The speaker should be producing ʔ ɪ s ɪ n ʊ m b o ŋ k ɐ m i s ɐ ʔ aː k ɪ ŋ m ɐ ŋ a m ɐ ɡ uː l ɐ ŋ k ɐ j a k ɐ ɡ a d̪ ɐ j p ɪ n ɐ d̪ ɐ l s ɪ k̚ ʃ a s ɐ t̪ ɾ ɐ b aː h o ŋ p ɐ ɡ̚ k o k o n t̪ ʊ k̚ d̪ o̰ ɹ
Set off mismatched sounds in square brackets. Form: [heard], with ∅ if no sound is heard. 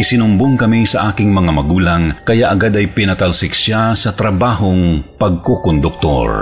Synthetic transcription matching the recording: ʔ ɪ s ɪ n ʊ m b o ŋ k ɐ m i s ɐ ʔ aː k ɪ ŋ m ɐ ŋ a m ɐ ɡ uː l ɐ ŋ k ɐ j a [ʔ] ɐ ɡ a d̪ ɐ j p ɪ n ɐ [t̪] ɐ l s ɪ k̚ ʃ a s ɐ t̪ ɾ ɐ b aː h o ŋ p ɐ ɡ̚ k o k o n [d̪] ʊ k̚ [t̪] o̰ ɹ